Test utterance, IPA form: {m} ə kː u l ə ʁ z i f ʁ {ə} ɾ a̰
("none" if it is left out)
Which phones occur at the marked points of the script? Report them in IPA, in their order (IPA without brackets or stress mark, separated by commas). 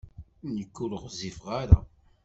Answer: n, a